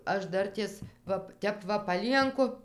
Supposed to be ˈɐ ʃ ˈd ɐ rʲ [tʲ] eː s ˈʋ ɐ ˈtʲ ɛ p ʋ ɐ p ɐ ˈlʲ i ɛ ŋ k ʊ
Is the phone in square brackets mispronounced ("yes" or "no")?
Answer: no